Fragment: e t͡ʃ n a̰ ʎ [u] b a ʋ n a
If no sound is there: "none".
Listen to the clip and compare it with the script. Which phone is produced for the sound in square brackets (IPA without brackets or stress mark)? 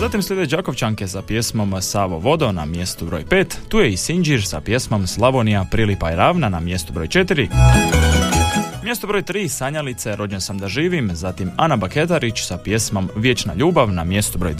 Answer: uː